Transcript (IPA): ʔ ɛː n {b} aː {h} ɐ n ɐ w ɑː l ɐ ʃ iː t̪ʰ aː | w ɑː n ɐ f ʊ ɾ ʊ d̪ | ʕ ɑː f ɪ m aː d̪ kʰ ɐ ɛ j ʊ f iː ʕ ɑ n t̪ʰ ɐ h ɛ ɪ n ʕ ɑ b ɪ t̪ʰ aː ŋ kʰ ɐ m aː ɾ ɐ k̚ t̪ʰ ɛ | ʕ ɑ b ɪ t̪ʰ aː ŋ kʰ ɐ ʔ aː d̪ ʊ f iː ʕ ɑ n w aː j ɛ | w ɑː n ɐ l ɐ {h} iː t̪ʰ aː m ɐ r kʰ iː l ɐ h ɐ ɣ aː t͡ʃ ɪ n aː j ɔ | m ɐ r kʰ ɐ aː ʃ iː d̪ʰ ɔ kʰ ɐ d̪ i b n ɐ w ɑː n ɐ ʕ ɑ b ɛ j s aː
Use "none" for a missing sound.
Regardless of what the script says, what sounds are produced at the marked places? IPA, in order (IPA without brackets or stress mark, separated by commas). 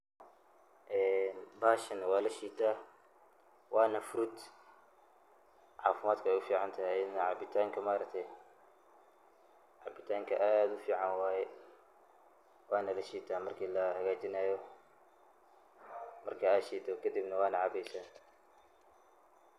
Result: b, ʃ, ʃ